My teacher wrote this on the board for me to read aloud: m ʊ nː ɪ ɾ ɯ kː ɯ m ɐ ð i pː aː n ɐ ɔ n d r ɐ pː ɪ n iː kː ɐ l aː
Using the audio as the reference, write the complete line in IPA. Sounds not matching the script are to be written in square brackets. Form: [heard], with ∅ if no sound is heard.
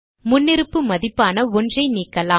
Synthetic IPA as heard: m ʊ nː ɪ ɾ ɯ [pː] ɯ m ɐ ð [ɪ] pː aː n ɐ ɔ n d r ɐ [∅] ɪ n iː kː ɐ l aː

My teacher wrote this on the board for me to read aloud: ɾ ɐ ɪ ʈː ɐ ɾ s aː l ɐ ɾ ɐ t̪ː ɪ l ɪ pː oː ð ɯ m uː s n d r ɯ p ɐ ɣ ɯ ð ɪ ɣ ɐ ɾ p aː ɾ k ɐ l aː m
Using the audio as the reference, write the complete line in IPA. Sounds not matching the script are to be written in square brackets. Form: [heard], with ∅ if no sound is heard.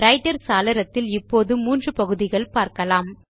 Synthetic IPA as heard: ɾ ɐ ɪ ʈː ɐ ɾ s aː l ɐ ɾ ɐ t̪ː ɪ l ɪ pː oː ð ɯ m uː [∅] n d r ɯ p ɐ ɣ ɯ ð ɪ ɣ ɐ [ɭ] p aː ɾ k ɐ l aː m

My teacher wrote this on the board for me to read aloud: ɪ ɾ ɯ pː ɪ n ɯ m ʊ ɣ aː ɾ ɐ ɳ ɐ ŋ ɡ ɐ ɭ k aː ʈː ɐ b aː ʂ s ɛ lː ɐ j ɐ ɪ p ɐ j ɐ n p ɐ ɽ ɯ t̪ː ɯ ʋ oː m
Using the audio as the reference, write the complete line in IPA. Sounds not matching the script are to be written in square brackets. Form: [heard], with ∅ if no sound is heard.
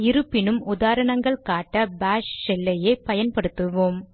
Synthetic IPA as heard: ɪ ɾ ɯ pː ɪ n ɯ m ʊ [ð] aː ɾ ɐ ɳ ɐ ŋ ɡ ɐ ɭ k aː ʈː ɐ b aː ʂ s ɛ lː ɐ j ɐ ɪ p ɐ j ɐ n p ɐ ɽ ɯ t̪ː ɯ ʋ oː m

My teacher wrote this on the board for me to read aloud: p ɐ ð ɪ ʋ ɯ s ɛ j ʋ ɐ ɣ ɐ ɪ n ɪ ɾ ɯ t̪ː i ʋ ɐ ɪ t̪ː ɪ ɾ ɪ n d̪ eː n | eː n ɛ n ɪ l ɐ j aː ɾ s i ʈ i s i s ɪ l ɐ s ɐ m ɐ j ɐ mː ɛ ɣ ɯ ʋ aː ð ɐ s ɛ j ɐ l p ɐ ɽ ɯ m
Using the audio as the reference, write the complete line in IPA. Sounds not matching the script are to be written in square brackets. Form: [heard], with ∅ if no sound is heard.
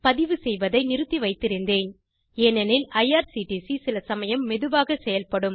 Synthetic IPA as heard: p ɐ ð ɪ ʋ ɯ s ɛ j ʋ ɐ [ð] ɐ ɪ n ɪ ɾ ɯ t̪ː i ʋ ɐ ɪ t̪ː ɪ ɾ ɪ n d̪ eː n | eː n ɛ n ɪ l ɐ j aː ɾ s i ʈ i s i s ɪ l ɐ s ɐ m ɐ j ɐ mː ɛ [ð] ɯ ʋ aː [ɣ] ɐ s ɛ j ɐ l p ɐ ɽ ɯ m

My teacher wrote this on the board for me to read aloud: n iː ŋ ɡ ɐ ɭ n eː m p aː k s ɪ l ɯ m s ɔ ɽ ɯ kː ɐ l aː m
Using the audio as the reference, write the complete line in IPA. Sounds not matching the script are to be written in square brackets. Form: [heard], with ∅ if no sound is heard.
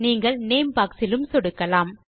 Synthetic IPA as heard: n iː ŋ ɡ ɐ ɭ n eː m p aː k s ɪ l ɯ m s ɔ ɽ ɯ kː ɐ l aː m

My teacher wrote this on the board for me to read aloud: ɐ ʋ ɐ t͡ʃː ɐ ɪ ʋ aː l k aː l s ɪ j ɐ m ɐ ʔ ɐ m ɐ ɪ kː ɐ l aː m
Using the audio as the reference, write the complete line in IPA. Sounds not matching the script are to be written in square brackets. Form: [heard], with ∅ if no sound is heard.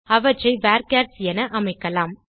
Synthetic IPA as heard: ɐ ʋ ɐ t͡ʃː ɐ ɪ ʋ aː [ɾ] k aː [ɾ] s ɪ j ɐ [n] ɐ ʔ ɐ m ɐ ɪ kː ɐ l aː m

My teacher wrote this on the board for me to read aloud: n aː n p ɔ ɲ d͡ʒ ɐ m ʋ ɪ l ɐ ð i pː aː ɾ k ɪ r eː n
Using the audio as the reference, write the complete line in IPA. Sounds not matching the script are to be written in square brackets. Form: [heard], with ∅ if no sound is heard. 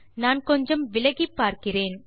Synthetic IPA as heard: n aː n [k] ɔ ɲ d͡ʒ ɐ m ʋ ɪ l ɐ [ɣ] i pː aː ɾ k ɪ r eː n

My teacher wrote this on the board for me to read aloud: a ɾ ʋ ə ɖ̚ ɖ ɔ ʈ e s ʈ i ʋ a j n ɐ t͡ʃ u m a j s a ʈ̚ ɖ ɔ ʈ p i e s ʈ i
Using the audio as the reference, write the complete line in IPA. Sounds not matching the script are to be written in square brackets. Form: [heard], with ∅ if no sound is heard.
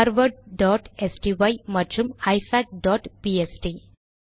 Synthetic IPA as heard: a ɾ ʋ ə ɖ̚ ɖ ɔ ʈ e s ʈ i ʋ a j [m] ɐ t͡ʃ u m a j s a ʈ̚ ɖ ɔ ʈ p i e s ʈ i

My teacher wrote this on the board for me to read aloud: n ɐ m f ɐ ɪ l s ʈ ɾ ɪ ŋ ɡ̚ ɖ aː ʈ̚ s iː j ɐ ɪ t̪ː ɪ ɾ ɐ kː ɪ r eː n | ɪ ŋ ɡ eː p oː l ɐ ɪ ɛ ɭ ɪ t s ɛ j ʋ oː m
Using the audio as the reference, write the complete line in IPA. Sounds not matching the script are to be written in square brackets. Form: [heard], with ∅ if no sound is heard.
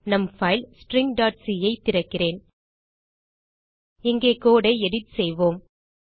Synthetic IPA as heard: n ɐ m f ɐ ɪ l s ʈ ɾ ɪ ŋ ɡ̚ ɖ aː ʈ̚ s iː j ɐ ɪ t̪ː ɪ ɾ ɐ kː ɪ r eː n | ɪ ŋ ɡ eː [k] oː [ɽ] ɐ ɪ ɛ [ɽ] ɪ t s ɛ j ʋ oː m

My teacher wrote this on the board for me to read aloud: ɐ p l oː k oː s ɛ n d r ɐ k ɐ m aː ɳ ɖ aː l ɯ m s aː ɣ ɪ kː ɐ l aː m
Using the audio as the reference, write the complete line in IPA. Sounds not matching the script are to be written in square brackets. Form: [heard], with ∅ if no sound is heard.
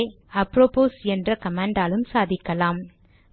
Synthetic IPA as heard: ɐ p [ɾ] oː [p] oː s ɛ n d r ɐ k ɐ m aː ɳ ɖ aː l ɯ m s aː [ð] ɪ kː ɐ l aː m

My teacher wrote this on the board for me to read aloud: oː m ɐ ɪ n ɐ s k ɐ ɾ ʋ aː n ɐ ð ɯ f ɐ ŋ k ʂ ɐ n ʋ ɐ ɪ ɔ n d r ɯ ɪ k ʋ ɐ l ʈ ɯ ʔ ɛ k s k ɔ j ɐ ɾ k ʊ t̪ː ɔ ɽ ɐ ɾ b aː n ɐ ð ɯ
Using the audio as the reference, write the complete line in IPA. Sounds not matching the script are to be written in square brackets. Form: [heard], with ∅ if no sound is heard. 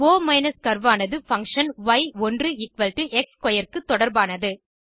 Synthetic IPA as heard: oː m ɐ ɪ n ɐ s k ɐ ɾ ʋ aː n ɐ ð ɯ f ɐ ŋ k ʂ ɐ n ʋ ɐ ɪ ɔ n d r ɯ ɪ k ʋ ɐ l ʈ ɯ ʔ ɛ k s k ɔ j ɐ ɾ k [ɯ] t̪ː ɔ ɽ ɐ ɾ b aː n ɐ ð ɯ

